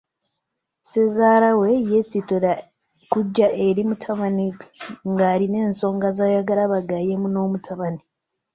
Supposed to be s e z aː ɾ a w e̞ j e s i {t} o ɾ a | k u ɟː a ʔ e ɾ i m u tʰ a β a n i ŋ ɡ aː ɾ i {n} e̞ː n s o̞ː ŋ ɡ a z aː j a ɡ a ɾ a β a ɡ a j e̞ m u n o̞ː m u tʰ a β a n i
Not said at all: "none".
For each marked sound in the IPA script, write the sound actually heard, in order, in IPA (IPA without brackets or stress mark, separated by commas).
t, n